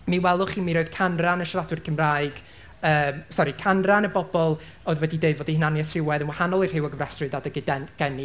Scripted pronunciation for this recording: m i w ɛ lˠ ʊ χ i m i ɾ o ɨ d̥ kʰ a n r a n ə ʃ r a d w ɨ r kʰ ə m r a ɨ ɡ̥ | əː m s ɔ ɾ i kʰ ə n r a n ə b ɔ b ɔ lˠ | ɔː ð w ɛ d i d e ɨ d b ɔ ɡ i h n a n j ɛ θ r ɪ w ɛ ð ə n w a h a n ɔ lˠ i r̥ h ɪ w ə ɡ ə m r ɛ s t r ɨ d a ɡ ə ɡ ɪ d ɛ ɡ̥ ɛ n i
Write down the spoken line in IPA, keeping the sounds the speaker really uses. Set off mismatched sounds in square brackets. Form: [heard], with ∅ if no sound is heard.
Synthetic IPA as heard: m i w ɛ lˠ ʊ χ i m i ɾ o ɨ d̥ kʰ a n r a n ə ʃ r a d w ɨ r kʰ ə m r a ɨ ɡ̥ | əː m s ɔ ɾ i kʰ [a] n r a n ə b ɔ b ɔ lˠ | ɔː ð w ɛ d i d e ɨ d [v] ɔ [d] i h n a n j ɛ θ r ɪ w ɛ ð ə n w a h a n ɔ lˠ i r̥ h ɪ w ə ɡ ə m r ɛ s t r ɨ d a [d] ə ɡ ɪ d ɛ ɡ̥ ɛ n i